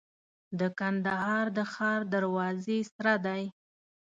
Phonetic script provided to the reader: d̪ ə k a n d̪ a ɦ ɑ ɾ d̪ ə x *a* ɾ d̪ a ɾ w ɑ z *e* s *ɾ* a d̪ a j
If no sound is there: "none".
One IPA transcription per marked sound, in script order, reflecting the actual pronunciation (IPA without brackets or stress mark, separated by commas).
ɑ, e, ɾ